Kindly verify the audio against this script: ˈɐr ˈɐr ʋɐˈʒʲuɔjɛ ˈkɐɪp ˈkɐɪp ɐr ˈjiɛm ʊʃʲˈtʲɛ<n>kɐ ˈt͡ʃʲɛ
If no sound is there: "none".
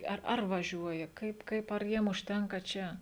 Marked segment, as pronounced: ŋ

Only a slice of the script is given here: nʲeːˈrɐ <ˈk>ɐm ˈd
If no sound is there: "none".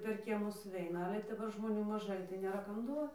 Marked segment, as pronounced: k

